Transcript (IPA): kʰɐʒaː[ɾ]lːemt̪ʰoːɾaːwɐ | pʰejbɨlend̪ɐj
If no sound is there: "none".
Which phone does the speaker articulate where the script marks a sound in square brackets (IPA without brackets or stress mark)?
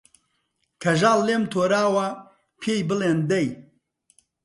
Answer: none